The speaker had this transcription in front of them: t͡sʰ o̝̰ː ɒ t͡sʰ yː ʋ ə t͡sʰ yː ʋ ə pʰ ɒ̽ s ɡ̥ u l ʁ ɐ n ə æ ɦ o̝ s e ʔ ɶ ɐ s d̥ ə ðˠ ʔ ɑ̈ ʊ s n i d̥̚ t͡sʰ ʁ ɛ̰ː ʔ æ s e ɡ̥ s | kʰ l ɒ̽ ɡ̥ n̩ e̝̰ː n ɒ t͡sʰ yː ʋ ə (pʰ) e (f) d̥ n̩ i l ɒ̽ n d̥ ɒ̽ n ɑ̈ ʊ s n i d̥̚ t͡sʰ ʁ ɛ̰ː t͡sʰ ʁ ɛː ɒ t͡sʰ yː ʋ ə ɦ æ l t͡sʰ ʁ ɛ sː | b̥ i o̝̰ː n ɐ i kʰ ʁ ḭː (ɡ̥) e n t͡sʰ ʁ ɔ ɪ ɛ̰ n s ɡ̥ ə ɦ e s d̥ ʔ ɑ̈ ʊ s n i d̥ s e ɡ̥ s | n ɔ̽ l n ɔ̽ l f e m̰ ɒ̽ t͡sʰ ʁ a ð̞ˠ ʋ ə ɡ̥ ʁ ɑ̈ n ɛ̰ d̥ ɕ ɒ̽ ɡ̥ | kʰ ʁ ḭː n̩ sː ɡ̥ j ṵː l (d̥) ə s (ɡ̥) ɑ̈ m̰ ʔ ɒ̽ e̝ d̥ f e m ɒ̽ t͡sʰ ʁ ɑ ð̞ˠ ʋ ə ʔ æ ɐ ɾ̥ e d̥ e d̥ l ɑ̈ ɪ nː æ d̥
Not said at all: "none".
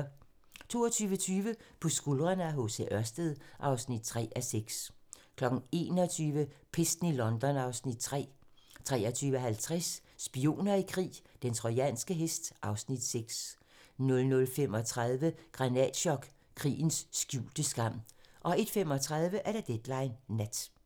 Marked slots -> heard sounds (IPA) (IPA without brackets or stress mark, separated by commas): pʰ, s, d̥, d̥, ɡ̥